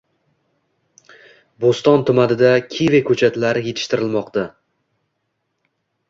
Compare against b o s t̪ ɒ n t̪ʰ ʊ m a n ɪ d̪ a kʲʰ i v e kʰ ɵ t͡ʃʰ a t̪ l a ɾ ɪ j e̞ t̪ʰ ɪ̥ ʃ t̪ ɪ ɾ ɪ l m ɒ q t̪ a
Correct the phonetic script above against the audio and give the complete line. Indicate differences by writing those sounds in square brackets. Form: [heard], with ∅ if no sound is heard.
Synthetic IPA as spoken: b o s t̪ ɒ n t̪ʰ ʊ m a n ɪ d̪ a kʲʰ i v e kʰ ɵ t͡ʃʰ a t̪ l a ɾ ɪ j e̞ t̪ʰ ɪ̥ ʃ t̪ ɪ ɾ ɪ l m ɒ q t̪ a